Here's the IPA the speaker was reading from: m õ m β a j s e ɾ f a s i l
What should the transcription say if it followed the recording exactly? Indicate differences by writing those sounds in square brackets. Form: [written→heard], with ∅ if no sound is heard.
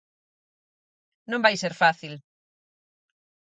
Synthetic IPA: [m→n] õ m [β→b] a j s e ɾ f a [s→θ] i l

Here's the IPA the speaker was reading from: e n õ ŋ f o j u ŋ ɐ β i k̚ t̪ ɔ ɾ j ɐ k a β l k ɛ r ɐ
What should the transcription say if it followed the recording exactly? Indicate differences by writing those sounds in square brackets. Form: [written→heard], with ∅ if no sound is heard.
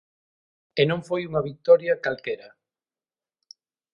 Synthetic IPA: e n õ ŋ f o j u ŋ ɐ β i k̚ t̪ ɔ ɾ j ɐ k a [β→∅] l k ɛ [r→ɾ] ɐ

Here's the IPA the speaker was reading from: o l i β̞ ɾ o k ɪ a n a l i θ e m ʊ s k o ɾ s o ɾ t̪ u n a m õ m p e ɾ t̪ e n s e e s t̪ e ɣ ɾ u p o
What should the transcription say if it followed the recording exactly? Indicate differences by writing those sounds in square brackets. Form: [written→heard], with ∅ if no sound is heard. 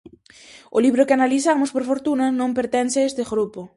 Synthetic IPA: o l i β̞ ɾ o k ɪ a n a l i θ [e→a] m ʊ s [k→p] o ɾ [s→f] o ɾ t̪ u n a [m→n] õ m p e ɾ t̪ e n s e e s t̪ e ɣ ɾ u p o

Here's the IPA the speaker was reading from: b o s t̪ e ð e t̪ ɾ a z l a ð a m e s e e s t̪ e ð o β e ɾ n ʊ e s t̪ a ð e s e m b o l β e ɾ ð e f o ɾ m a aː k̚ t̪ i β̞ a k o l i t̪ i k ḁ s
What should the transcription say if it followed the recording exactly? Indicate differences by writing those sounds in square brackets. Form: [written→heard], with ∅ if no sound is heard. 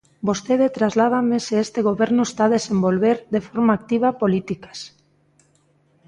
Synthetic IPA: b o s t̪ e ð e t̪ ɾ a z l a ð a m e s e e s t̪ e [ð→ɣ] o β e ɾ n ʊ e s t̪ a ð e s e m b o l β e ɾ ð e f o ɾ m a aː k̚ t̪ i β̞ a [k→p] o l i t̪ i k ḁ s

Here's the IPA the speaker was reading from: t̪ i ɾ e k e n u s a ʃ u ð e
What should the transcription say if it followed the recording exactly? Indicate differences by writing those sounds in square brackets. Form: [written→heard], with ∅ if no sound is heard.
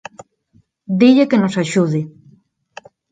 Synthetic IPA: [t̪→d̪] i [ɾ→ʎ] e k e n [u→o] s a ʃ u ð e

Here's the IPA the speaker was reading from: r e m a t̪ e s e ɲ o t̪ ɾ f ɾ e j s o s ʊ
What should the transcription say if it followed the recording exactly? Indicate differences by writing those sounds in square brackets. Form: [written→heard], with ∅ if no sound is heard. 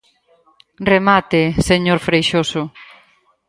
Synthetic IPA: r e m a t̪ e s e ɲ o [t̪→∅] ɾ f ɾ e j [s→ʃ] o s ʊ

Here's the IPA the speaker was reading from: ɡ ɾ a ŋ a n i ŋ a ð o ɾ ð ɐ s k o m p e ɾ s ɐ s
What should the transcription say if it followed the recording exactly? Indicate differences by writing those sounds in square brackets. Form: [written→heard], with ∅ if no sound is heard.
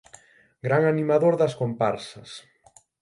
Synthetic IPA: ɡ ɾ a ŋ a n i [ŋ→m] a ð o ɾ ð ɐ s k o m p [e→a] ɾ s ɐ s

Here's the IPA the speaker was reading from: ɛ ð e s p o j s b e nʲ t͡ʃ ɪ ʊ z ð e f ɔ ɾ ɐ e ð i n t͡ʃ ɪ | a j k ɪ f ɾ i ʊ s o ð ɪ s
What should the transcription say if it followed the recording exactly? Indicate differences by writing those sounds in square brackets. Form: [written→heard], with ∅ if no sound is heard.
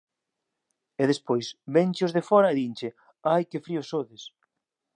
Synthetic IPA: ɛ ð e s p o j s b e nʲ t͡ʃ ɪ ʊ z ð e f ɔ ɾ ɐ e ð i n t͡ʃ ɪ | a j k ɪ f ɾ i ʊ s o ð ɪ s

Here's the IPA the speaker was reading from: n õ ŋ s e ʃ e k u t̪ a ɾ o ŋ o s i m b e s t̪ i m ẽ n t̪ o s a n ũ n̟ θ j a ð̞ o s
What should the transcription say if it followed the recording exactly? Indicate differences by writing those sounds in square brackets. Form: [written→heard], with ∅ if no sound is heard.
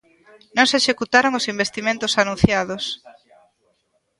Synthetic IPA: n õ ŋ s e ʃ e k u t̪ a ɾ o ŋ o s i m b e s t̪ i m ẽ n t̪ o s a n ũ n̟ θ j a ð̞ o s

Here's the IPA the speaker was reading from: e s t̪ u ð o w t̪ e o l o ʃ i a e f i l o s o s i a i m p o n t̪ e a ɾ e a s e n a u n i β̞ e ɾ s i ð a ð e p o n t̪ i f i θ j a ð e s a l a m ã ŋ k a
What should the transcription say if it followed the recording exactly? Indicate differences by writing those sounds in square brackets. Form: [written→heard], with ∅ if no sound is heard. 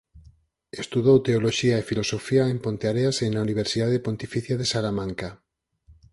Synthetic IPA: e s t̪ u ð o w t̪ e o l o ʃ i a e f i l o s o [s→f] i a [i→e] m p o n t̪ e a ɾ e a s e n a u n i β̞ e ɾ s i ð a ð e p o n t̪ i f i θ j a ð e s a l a m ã ŋ k a

